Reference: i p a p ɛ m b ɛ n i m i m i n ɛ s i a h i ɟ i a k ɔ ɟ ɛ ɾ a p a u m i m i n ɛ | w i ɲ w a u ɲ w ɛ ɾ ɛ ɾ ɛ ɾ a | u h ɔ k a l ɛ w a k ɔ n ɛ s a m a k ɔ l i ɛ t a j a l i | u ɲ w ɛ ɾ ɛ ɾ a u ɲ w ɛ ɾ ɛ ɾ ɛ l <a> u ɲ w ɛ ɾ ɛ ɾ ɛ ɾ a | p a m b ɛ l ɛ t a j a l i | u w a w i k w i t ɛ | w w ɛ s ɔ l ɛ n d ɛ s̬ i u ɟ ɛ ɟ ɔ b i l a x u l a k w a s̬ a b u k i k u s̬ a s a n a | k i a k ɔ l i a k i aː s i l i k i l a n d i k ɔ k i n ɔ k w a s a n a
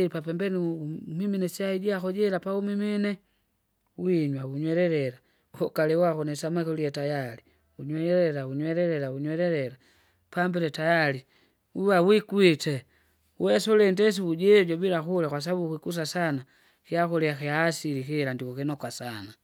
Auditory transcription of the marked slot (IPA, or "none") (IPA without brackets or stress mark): a